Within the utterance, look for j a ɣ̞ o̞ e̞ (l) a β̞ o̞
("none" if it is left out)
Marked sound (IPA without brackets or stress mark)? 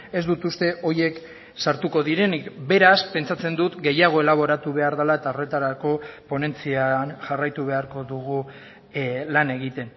l